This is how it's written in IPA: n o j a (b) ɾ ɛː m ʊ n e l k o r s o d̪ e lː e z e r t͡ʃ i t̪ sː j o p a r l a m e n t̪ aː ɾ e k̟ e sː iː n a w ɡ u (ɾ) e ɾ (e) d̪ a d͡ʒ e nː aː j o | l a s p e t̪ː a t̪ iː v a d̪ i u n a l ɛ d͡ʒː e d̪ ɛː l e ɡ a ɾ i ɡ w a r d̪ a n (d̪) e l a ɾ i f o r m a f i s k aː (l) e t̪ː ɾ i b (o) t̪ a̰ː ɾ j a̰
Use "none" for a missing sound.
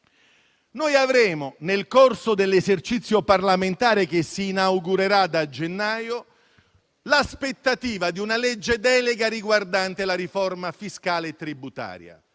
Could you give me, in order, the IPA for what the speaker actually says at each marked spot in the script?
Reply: v, ɾ, a, t̪, l, u

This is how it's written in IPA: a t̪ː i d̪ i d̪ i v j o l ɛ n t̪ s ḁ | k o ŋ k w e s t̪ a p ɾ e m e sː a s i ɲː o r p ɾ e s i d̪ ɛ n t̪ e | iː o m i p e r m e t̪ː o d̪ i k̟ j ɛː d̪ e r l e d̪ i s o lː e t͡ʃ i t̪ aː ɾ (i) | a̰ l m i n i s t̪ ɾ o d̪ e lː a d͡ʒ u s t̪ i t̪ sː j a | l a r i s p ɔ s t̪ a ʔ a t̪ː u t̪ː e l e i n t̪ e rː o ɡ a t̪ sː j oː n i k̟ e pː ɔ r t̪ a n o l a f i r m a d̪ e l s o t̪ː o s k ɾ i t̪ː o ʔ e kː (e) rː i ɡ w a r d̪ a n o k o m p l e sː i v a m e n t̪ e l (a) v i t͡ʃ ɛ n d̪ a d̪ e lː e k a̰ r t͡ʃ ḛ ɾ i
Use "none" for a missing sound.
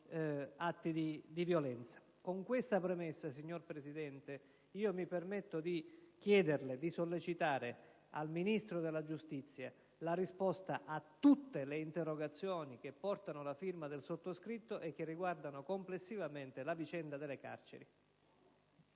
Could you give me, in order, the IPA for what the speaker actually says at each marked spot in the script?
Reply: e, e, a

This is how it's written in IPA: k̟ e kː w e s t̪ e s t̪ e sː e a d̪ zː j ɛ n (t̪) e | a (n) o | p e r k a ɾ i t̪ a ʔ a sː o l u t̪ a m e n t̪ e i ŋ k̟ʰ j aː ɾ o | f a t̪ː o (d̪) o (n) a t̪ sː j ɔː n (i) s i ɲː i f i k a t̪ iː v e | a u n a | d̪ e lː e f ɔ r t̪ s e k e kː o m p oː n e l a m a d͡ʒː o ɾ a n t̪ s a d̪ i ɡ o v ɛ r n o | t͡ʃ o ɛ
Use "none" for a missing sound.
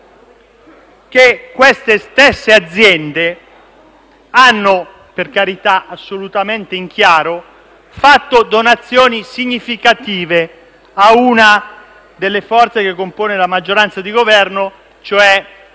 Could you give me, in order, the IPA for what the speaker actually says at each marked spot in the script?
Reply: d̪, nː, d̪, n, i

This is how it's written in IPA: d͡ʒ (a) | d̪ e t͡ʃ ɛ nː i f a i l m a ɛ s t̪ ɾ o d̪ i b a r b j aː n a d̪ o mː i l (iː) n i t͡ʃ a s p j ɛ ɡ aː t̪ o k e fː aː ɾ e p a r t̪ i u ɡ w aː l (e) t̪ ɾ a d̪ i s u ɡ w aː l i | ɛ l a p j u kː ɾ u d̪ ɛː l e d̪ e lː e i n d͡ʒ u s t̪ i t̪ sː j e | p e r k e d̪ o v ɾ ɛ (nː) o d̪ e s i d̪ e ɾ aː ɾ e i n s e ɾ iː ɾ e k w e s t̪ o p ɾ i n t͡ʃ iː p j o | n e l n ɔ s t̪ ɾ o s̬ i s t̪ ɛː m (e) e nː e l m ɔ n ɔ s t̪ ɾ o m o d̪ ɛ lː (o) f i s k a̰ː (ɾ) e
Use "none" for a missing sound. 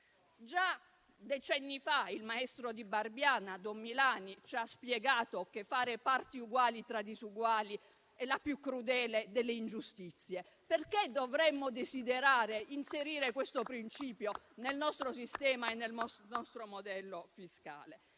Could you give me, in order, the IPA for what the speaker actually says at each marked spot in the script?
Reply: a, aː, i, mː, a, o, l

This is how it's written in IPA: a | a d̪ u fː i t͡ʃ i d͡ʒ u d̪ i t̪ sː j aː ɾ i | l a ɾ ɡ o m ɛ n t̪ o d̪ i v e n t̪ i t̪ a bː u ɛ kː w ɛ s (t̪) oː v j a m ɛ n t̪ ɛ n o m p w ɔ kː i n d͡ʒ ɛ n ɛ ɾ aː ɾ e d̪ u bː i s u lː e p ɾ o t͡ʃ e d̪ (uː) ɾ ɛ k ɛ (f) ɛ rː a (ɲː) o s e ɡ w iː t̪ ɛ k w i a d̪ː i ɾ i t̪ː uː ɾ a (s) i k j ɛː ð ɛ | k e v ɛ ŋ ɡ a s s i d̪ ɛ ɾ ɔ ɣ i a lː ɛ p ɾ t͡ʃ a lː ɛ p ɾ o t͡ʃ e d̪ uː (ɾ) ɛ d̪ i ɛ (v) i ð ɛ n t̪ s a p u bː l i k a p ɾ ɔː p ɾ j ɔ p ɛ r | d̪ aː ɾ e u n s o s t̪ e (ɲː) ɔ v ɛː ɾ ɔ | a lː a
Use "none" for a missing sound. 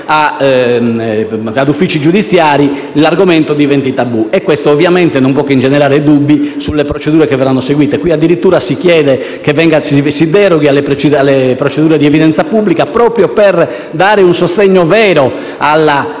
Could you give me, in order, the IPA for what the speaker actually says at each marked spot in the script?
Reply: t̪, uː, v, nː, s, ɾ, v, ɲː

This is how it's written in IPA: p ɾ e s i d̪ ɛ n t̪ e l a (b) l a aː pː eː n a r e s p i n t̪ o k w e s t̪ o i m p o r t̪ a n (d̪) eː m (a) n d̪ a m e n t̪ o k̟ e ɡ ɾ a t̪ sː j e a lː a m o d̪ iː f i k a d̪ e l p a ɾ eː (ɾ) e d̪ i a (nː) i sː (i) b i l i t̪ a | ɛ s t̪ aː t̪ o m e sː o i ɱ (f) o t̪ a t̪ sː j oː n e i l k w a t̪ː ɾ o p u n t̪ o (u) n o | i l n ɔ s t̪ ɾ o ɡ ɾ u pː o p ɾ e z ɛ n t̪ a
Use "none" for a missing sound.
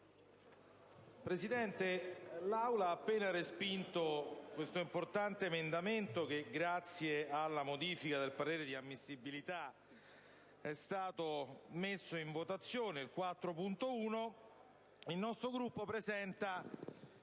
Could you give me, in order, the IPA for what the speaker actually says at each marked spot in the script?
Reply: w, t̪, e, ɾ, mː, i, v, uː

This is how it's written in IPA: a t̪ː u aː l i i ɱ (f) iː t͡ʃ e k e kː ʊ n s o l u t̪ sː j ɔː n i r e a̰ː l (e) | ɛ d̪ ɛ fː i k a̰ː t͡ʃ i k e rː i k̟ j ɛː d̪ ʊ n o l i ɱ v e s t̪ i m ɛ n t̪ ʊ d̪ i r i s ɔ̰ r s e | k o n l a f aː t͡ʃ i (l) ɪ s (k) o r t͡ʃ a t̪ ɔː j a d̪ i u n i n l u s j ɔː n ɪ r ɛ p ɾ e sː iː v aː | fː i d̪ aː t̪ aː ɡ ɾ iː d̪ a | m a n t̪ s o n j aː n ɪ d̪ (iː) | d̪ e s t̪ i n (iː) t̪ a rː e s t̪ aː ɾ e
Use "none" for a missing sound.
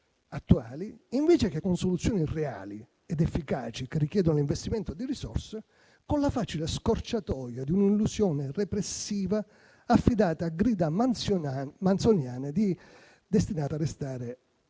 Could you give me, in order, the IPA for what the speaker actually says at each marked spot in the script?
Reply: v, i, l, k, i, aː

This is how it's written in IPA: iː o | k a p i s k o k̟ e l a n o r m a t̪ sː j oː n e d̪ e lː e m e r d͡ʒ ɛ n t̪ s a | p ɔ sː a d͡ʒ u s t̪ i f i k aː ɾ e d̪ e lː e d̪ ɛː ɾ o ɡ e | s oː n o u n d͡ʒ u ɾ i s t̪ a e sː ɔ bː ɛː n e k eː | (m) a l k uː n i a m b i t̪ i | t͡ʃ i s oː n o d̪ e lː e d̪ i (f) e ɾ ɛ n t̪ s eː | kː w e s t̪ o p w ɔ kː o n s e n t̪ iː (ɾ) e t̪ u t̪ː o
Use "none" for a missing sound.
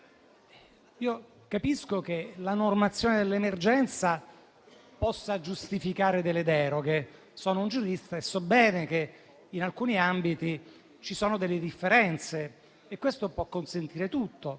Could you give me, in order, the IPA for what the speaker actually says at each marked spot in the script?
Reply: n, fː, ɾ

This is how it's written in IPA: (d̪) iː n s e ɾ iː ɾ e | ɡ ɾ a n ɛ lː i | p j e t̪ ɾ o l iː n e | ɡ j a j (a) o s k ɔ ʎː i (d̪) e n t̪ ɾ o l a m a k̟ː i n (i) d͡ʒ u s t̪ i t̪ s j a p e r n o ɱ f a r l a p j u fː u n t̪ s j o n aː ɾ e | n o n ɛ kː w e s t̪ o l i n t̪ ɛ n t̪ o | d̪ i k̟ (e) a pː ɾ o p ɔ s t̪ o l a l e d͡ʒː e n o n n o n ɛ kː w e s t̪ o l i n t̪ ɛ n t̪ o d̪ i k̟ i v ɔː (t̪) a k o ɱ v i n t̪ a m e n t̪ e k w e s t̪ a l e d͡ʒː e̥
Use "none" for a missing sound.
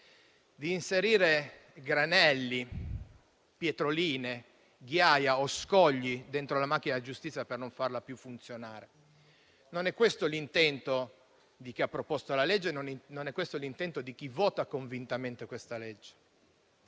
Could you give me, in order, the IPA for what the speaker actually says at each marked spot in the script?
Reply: d̪, a, d̪, a, i, t̪

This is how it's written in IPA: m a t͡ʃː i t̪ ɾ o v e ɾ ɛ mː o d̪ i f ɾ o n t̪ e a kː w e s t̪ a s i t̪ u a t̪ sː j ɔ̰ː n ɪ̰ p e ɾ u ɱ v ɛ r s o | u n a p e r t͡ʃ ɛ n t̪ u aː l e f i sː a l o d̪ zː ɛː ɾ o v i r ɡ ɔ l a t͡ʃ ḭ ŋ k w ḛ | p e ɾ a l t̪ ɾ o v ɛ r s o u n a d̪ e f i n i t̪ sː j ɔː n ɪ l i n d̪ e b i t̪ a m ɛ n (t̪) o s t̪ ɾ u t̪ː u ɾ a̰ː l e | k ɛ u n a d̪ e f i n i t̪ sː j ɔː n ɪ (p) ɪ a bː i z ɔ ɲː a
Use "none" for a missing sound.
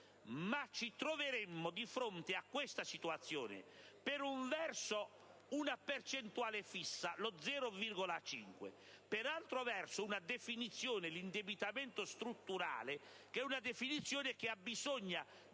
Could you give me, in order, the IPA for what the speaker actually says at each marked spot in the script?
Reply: t̪, k

